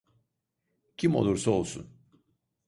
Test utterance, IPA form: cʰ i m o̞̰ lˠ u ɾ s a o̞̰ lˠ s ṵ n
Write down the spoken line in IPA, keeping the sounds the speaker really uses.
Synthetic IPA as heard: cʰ i m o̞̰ lˠ u ɾ s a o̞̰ lˠ s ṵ n